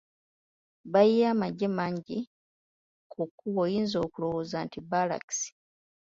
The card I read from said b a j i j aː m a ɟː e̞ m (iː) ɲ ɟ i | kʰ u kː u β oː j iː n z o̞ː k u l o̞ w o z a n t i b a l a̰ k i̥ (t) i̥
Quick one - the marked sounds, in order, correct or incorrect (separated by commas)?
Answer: incorrect, incorrect